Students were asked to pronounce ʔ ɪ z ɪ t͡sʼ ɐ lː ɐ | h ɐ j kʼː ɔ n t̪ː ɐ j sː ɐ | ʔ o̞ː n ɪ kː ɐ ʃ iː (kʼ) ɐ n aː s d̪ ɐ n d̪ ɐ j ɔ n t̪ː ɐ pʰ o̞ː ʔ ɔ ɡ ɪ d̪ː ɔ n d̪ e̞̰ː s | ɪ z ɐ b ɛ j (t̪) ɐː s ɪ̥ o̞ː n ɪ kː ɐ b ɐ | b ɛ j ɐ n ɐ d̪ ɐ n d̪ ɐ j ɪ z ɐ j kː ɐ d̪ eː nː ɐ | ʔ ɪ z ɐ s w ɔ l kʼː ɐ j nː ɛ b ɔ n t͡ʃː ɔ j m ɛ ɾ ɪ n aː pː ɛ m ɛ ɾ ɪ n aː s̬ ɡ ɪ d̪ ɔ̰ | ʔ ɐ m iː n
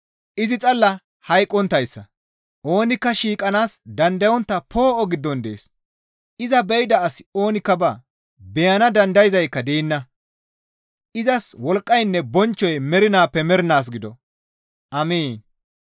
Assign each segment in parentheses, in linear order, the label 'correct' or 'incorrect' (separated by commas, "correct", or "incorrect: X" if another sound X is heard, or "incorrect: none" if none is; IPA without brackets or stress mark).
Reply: correct, incorrect: d̪